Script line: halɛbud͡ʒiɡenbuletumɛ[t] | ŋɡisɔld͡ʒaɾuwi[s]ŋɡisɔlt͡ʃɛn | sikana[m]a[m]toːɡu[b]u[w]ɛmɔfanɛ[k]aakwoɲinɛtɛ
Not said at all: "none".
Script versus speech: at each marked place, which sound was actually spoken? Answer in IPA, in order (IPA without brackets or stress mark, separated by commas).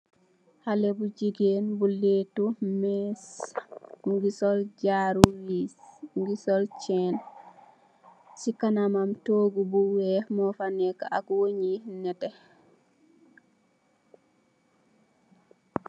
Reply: s, s, m, m, b, w, k